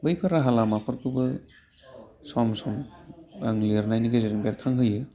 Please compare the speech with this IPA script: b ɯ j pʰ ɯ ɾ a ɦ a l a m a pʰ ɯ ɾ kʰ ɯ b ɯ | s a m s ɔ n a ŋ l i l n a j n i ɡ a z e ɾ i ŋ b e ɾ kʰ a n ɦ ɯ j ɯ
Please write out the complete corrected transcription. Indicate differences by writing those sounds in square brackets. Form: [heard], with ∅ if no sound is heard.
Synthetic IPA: b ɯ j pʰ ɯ ɾ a ɦ a l a m a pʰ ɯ ɾ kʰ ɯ b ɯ | s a m s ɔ [m] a ŋ l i [ɾ] n a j n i ɡ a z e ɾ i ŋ b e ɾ kʰ a [ŋ] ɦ ɯ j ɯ